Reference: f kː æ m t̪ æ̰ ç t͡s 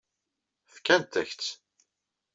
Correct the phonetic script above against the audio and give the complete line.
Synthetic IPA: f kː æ n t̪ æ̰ ç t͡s

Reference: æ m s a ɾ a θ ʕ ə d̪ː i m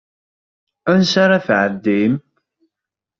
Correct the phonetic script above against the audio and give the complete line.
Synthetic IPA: æ n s a ɾ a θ ʕ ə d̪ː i m

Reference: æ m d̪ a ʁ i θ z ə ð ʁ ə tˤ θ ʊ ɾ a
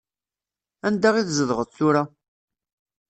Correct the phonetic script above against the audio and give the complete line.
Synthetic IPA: æ n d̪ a ʁ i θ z ə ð ʁ ə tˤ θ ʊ ɾ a

